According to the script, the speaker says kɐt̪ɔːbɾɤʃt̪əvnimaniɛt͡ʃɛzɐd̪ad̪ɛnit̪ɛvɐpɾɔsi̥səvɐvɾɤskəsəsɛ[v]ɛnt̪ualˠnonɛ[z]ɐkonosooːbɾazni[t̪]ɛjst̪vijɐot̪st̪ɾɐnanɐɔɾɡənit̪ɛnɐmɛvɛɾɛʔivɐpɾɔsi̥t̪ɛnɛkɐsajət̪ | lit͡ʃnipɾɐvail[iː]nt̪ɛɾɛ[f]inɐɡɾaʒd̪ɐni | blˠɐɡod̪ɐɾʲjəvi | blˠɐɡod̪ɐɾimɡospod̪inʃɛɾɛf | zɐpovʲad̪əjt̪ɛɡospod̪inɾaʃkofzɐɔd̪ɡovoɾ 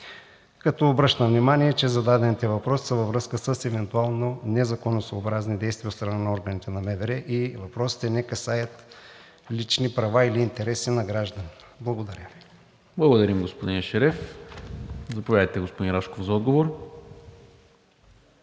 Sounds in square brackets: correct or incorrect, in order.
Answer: correct, correct, incorrect, correct, incorrect

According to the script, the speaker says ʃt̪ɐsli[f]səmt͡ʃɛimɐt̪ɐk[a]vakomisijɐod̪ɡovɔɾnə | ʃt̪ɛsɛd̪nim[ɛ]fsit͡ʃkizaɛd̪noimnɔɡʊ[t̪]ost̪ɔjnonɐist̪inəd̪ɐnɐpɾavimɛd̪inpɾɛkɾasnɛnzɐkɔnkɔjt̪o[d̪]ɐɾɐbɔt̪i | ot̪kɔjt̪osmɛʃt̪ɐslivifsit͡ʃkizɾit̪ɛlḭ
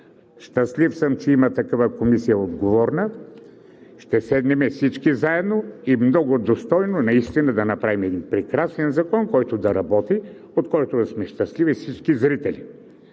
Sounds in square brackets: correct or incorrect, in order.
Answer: correct, correct, correct, incorrect, correct

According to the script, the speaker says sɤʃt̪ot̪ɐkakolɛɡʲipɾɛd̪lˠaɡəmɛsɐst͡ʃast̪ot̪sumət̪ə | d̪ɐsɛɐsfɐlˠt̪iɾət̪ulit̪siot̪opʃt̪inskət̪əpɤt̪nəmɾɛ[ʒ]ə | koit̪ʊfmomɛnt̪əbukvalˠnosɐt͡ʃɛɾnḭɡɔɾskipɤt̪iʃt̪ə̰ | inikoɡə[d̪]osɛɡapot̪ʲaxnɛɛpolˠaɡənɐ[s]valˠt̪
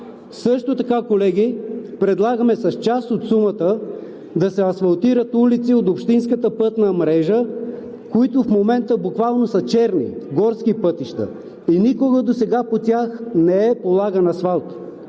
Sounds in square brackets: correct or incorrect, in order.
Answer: correct, correct, correct

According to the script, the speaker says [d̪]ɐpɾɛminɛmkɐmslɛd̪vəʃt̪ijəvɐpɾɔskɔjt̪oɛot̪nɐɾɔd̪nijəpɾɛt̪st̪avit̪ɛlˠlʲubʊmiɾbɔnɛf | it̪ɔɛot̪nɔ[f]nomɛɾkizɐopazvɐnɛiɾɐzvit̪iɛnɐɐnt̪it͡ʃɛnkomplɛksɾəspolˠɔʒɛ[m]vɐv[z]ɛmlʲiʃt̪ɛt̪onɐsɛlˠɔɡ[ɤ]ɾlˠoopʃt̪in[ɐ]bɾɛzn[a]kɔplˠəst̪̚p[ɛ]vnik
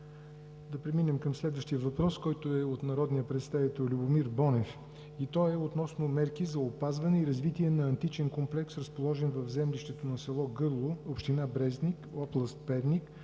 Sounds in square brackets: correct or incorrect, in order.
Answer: correct, incorrect, incorrect, correct, correct, incorrect, incorrect, correct

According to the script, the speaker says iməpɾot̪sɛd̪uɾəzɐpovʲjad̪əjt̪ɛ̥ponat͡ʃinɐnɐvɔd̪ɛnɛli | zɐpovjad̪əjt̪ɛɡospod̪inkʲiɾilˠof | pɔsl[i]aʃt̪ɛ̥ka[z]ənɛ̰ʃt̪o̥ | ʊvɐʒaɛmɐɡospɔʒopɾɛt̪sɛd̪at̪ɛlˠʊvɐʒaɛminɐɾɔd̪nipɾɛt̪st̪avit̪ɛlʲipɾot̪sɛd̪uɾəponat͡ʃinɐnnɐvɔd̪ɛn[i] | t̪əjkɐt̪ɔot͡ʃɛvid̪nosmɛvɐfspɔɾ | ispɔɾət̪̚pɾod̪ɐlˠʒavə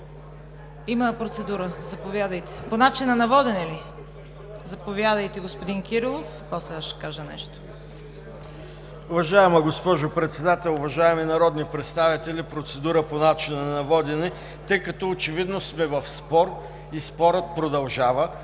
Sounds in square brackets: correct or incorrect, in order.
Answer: incorrect, incorrect, incorrect

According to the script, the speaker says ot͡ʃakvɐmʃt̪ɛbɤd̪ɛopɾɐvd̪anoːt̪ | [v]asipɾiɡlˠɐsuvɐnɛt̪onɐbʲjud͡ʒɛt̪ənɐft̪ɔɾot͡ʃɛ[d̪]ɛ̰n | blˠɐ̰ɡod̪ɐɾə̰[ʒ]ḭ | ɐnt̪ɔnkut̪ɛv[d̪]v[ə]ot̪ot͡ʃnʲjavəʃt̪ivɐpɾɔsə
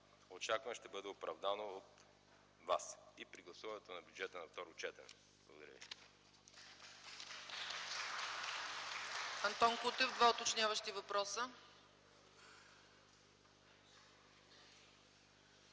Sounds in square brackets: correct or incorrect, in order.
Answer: correct, incorrect, incorrect, correct, incorrect

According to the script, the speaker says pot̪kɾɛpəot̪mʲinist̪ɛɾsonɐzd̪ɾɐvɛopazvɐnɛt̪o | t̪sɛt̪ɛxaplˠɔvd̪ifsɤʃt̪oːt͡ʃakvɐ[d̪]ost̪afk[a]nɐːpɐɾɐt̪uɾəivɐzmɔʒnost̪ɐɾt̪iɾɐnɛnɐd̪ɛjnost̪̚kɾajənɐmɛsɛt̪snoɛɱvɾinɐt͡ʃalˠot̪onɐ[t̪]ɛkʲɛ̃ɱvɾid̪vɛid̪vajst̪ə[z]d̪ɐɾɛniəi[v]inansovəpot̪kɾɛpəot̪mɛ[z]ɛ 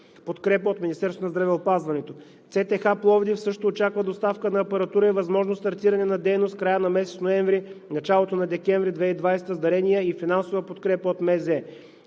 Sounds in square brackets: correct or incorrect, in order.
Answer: correct, incorrect, incorrect, correct, incorrect, correct

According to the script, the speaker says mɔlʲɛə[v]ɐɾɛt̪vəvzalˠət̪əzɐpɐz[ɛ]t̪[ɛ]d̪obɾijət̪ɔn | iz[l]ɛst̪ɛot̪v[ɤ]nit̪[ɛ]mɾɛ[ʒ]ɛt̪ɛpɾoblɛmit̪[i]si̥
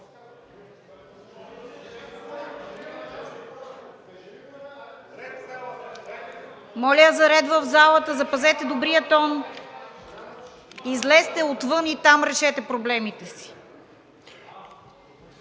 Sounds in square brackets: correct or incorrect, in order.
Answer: incorrect, correct, correct, correct, correct, incorrect, incorrect, incorrect

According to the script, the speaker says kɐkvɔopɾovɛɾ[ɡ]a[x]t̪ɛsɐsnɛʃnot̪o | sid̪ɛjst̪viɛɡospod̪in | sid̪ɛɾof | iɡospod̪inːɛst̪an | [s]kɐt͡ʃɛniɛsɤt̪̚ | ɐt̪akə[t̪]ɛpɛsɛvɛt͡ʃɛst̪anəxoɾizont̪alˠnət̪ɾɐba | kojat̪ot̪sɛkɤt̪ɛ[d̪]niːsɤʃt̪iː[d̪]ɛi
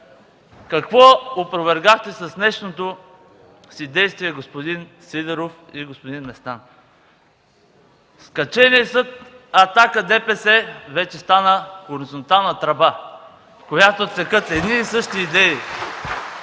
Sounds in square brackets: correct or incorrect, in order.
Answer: correct, correct, correct, incorrect, correct, correct

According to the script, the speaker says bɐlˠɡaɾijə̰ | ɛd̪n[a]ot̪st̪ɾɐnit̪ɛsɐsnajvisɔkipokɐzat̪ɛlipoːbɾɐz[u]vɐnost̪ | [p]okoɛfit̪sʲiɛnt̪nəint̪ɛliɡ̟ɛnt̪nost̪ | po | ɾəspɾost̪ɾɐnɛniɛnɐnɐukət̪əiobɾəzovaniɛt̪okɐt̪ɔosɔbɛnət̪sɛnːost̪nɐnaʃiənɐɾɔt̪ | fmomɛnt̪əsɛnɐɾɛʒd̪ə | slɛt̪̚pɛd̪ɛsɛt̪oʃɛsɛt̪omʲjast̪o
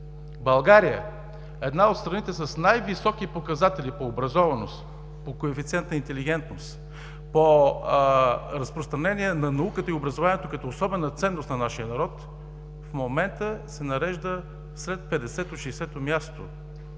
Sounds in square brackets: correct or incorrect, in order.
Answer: correct, incorrect, correct

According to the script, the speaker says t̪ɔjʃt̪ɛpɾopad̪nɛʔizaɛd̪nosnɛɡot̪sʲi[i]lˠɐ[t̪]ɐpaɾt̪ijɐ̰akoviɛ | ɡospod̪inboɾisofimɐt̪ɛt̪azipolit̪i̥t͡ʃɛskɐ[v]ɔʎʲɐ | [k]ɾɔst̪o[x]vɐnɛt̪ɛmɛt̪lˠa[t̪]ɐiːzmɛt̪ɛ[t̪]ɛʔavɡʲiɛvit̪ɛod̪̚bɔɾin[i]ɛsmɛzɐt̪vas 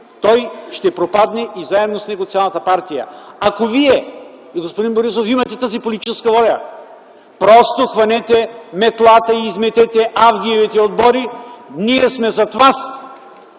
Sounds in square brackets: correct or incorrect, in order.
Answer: incorrect, correct, correct, incorrect, correct, correct, correct, correct

